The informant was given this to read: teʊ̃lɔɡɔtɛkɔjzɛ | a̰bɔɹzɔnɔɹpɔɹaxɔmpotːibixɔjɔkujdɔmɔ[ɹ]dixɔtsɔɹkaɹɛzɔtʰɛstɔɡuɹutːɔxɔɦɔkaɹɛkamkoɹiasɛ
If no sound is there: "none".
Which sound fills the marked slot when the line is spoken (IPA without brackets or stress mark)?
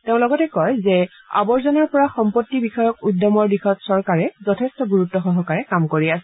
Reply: ɹ